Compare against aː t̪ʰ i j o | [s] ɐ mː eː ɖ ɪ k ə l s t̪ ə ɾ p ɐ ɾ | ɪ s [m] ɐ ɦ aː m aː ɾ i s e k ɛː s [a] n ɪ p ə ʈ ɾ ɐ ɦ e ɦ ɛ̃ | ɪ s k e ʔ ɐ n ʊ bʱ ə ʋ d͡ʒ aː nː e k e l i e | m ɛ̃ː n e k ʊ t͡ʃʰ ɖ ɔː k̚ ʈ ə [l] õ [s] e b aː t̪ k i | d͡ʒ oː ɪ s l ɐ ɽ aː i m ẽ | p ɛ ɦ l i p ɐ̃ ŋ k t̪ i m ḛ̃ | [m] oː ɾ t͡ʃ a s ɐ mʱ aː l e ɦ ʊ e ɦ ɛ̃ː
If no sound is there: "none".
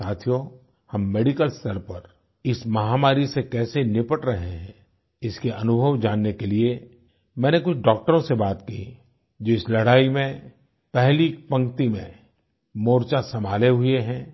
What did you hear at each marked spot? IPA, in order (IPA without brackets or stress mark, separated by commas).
h, m, e, ɾ, s, m